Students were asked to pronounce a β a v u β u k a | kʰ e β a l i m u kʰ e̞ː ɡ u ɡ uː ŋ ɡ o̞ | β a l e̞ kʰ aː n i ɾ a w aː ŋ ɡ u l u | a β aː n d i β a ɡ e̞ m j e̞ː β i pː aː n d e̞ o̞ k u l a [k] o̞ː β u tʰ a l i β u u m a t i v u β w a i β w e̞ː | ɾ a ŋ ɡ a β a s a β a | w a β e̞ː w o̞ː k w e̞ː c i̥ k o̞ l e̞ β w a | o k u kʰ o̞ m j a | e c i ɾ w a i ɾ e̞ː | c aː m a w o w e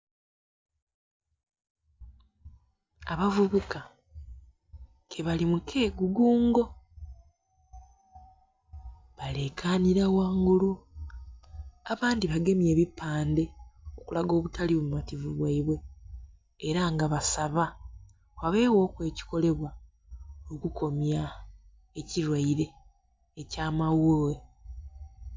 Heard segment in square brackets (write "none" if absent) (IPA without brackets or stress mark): ɡ